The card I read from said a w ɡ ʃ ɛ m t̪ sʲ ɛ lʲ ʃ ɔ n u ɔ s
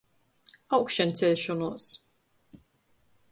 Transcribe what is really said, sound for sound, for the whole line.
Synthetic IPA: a w k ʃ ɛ n t̪ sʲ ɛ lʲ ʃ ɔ n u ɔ s

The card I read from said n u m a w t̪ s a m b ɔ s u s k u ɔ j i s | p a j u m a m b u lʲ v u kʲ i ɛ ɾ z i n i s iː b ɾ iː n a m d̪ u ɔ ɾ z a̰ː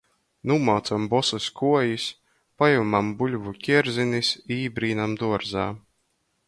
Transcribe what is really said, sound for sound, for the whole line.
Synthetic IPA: n u m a w t̪ s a m b ɔ s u s k u ɔ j i s | p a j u m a m b u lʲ v u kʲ i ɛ ɾ z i n i s iː b ɾ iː n a m d̪ u ɔ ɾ z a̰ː

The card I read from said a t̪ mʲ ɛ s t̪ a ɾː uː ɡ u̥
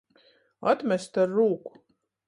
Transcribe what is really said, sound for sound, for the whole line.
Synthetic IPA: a t̪ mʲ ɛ s t̪ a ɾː uː k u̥

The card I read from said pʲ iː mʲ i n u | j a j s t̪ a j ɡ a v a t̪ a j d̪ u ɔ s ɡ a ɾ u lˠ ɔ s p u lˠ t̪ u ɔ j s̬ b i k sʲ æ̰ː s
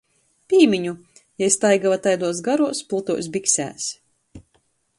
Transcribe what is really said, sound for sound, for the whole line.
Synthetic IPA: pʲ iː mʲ i ɲ u | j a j s t̪ a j ɡ a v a t̪ a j d̪ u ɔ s ɡ a ɾ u ɔ s p u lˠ t̪ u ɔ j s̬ b i k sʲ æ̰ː s

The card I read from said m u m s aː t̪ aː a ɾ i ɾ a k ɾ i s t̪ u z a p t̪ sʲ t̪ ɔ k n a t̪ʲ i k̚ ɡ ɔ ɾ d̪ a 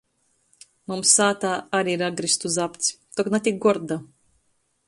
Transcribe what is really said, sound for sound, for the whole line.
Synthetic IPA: m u m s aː t̪ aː a ɾ i ɾ a ɡ ɾ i s t̪ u z a p t̪ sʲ t̪ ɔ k n a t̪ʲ i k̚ ɡ ɔ ɾ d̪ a

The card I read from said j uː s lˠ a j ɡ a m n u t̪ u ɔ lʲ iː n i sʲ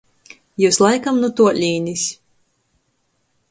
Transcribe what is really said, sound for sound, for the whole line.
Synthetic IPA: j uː s lˠ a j k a m n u t̪ u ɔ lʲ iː n i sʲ

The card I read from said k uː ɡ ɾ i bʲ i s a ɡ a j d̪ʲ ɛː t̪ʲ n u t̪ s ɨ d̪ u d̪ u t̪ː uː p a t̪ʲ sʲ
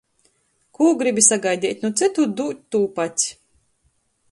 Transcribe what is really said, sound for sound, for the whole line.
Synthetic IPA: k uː ɡ ɾ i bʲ i s a ɡ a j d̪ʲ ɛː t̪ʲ n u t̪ s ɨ t̪ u d̪ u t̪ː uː p a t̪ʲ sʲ

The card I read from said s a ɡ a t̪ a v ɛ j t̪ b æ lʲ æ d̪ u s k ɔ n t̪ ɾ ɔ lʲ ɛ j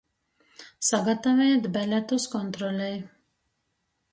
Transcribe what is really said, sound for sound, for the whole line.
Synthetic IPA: s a ɡ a t̪ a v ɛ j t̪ b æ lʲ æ t̪ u s k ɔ n t̪ ɾ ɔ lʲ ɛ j

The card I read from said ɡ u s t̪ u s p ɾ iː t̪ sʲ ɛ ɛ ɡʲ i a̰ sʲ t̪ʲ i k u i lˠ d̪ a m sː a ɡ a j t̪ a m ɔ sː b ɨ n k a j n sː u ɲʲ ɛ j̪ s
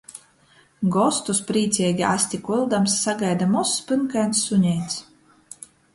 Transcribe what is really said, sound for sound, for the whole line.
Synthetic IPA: ɡ ɔ s t̪ u s p ɾ iː t̪ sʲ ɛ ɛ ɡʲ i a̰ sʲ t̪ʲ i k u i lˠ d̪ a m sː a ɡ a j d̪ a m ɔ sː p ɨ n k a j n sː u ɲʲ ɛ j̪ s

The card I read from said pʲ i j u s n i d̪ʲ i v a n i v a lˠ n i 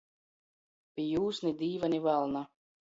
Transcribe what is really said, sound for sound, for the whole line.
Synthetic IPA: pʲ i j uː s n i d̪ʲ iː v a n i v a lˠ n a

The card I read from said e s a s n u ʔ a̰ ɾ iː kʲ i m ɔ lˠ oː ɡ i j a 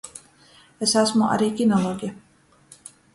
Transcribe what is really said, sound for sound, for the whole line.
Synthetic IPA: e s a s m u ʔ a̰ ɾ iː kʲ i n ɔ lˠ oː ɡ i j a

